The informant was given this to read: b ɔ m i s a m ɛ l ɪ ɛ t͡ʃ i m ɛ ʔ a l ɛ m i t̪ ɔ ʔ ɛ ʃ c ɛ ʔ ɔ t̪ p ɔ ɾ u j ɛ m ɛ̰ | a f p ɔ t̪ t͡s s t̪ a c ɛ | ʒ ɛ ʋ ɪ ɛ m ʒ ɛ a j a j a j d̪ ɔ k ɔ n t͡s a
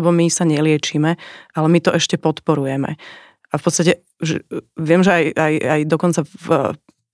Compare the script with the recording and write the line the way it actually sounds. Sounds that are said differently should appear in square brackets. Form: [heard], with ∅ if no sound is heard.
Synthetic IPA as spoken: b ɔ m i s a [ɲ] ɛ l ɪ ɛ t͡ʃ i m ɛ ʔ a l ɛ m i t̪ ɔ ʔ ɛ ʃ c ɛ [p] ɔ t̪ p ɔ ɾ u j ɛ m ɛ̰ | a f p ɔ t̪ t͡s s t̪ a c ɛ | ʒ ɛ ʋ ɪ ɛ m ʒ ɛ a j a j a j d̪ ɔ k ɔ n t͡s a